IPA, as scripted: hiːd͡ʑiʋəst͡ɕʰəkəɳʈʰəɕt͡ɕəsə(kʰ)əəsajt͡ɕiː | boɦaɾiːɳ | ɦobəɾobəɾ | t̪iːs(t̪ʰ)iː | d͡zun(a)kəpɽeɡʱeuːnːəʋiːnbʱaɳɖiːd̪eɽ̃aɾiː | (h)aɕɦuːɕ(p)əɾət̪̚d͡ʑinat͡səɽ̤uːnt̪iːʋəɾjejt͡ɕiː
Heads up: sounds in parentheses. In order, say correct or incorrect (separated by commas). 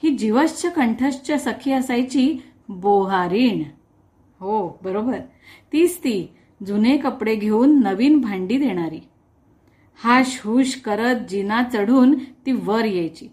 correct, incorrect, incorrect, correct, incorrect